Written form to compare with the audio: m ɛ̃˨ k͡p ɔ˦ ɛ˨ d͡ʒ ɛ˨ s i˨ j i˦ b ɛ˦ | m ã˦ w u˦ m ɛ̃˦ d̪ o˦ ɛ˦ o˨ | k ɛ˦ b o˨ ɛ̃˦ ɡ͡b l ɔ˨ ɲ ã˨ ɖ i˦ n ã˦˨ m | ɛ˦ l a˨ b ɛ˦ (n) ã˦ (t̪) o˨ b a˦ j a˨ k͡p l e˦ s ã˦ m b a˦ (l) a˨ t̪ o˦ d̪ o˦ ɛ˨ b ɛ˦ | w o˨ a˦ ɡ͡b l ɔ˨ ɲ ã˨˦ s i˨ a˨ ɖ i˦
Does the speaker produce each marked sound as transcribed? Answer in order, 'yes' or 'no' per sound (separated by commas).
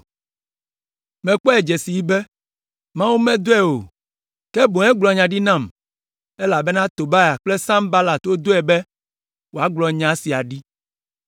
yes, yes, yes